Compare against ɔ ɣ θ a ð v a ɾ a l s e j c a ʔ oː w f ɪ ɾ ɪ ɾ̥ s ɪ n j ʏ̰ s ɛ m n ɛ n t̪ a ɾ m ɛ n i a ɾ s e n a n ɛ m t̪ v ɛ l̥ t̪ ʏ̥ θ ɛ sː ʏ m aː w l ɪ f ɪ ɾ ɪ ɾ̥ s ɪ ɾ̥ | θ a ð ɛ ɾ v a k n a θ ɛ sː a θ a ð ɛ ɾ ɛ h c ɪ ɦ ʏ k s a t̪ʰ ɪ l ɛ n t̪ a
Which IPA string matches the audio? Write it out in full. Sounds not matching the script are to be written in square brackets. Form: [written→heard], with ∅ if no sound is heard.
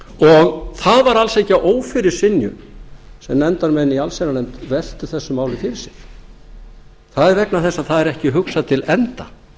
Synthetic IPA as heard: ɔ ɣ θ a ð v a ɾ a l s e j c a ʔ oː w f ɪ ɾ ɪ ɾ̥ s ɪ n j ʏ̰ s ɛ m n ɛ n t̪ a ɾ m ɛ n i a [ɾ→l] s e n a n ɛ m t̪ v ɛ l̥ t̪ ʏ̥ θ ɛ sː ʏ m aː w l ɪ f ɪ ɾ ɪ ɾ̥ s ɪ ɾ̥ | θ a ð ɛ ɾ v [a→ɛ] k n a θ ɛ sː a θ a ð ɛ ɾ ɛ h c ɪ ɦ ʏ k s a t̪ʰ ɪ l ɛ n t̪ a